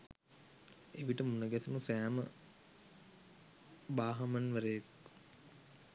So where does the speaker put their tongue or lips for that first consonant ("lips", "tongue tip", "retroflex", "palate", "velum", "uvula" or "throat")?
lips